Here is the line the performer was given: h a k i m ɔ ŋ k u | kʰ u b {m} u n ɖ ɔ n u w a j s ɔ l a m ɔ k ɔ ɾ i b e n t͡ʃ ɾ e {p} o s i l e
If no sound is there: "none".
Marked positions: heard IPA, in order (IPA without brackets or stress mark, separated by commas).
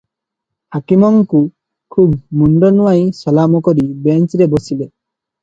m, b